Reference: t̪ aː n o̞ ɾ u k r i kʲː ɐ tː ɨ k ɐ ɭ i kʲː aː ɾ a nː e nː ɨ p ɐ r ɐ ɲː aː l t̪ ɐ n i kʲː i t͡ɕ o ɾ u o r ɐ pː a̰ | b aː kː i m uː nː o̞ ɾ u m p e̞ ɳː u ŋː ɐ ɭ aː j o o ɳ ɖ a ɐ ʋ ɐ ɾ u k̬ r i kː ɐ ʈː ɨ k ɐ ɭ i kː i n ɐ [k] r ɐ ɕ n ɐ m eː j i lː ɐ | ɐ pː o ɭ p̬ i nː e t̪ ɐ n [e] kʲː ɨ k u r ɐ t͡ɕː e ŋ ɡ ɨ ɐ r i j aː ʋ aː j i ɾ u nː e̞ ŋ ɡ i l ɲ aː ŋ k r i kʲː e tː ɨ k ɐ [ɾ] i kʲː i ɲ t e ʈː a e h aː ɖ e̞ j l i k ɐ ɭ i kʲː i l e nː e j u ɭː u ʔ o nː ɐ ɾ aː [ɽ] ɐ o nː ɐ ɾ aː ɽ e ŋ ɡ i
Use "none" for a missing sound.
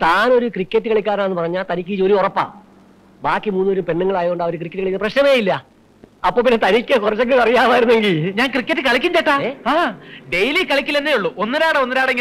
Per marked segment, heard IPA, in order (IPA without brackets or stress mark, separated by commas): p, i, ɭ, ɽ